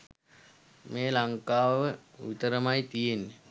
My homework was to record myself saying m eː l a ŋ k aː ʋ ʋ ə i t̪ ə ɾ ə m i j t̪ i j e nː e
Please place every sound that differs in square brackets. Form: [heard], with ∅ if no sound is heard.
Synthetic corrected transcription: m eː l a ŋ k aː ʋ ʋ ə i t̪ ə ɾ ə m [a] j t̪ i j e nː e